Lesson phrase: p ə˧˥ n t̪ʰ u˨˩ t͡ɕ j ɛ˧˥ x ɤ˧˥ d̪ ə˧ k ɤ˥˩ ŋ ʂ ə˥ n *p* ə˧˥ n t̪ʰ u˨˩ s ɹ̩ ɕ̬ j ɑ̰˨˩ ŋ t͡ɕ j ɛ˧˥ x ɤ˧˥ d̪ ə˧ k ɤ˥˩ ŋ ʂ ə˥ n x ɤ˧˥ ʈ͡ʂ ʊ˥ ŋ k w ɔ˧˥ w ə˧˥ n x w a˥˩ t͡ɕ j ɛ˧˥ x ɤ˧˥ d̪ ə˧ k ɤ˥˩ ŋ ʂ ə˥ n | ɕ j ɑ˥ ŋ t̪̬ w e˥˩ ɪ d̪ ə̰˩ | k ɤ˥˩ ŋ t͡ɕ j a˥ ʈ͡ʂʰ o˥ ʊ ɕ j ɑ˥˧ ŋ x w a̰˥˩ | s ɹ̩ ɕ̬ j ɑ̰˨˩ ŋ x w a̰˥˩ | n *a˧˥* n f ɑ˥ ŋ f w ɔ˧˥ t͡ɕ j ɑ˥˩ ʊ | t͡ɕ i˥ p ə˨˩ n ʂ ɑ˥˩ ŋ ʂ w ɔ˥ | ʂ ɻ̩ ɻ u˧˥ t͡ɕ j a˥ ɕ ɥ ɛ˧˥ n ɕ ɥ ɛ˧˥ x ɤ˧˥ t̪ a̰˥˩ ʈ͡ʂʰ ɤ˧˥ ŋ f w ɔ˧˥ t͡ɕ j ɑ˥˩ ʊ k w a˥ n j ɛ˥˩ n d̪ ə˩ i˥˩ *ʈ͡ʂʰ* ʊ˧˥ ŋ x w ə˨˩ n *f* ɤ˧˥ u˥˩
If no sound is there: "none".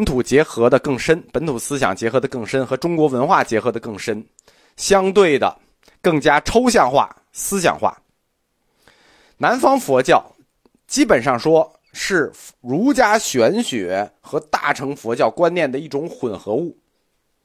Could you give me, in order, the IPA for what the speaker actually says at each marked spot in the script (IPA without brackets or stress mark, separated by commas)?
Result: p, a˧˥, ʈ͡ʂ, x